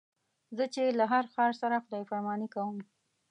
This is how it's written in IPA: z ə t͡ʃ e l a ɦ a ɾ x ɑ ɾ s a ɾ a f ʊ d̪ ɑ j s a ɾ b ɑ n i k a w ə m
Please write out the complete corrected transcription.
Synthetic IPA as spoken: z ə t͡ʃ e l a ɦ a ɾ x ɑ ɾ s a ɾ a x ʊ d̪ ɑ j f a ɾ m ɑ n i k a w ə m